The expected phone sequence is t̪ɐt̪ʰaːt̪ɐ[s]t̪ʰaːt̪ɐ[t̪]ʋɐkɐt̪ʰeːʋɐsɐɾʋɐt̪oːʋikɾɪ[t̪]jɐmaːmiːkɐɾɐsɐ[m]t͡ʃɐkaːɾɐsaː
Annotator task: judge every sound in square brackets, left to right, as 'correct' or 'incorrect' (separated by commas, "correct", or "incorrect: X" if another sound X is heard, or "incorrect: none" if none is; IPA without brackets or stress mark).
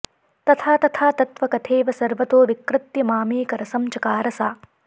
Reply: incorrect: none, correct, correct, correct